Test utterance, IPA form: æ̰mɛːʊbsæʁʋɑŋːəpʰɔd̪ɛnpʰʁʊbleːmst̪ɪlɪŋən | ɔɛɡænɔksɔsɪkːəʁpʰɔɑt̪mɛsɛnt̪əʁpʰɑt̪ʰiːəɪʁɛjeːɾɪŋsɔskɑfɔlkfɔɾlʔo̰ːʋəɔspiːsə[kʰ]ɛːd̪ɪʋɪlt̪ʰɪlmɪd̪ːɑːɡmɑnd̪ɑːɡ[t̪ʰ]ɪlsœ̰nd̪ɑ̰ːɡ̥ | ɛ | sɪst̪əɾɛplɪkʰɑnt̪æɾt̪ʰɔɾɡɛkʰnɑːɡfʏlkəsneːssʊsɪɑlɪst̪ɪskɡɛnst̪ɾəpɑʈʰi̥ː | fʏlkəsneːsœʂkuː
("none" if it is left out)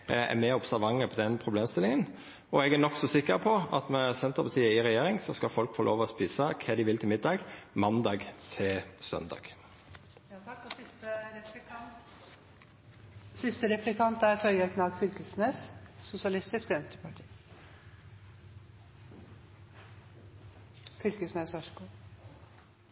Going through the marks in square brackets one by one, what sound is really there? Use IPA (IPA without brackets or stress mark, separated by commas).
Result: kʰ, t̪ʰ